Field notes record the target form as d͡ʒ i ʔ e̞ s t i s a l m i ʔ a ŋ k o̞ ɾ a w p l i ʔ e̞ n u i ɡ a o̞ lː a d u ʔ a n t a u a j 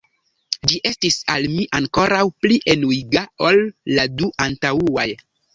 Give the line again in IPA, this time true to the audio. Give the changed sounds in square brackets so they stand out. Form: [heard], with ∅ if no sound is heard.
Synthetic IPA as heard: d͡ʒ i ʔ e̞ s t i s a l m i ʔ a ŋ k o̞ ɾ a w p l i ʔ e̞ n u i ɡ a o̞ lː a d u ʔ a n t a u a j